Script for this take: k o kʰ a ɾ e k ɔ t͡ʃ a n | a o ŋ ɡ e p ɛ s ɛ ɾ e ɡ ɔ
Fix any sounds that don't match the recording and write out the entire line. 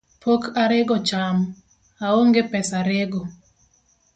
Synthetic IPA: p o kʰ a ɾ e ɡ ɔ t͡ʃ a m | a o ŋ ɡ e p ɛ s a ɾ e ɡ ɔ